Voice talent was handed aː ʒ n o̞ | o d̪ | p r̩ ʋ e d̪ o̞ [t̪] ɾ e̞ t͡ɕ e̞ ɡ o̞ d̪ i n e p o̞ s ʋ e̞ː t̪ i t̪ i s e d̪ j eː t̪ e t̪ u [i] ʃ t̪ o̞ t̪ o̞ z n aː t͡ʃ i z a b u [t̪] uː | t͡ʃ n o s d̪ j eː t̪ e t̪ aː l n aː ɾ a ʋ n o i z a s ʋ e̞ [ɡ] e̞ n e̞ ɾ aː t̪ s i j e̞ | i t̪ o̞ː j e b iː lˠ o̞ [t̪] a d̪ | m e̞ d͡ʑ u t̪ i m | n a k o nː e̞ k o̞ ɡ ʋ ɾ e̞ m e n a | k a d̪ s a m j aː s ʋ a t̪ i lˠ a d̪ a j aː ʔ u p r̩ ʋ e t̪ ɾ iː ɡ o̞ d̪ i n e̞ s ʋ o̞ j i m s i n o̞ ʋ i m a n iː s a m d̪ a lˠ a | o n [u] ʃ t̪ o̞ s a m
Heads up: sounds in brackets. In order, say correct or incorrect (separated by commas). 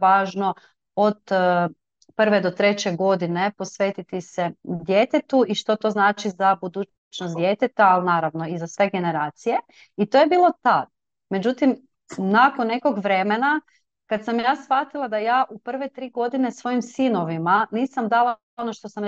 correct, correct, incorrect, correct, correct, incorrect